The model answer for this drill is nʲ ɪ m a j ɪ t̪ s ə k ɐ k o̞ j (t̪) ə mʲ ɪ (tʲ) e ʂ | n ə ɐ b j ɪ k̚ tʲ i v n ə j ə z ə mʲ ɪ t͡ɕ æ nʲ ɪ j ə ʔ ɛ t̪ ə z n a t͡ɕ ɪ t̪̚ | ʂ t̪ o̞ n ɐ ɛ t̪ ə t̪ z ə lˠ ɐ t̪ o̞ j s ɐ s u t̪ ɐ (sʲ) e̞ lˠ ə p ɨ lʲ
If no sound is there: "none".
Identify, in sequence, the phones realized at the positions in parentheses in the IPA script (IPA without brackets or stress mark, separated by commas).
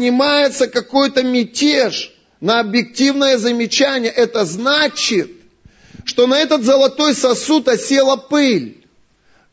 t̪, tʲ, sʲ